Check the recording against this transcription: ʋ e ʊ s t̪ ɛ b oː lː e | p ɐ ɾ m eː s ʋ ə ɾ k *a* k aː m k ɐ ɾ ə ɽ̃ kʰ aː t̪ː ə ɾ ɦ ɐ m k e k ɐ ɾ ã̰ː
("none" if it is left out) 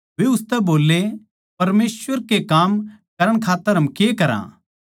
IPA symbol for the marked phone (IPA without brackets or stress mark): e